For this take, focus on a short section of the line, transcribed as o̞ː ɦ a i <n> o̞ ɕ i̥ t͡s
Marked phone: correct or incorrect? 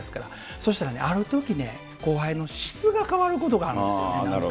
correct